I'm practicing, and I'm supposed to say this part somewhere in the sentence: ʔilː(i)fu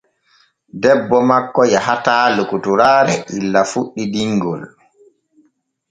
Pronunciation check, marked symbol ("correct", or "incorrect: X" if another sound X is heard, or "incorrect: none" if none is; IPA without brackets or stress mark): incorrect: a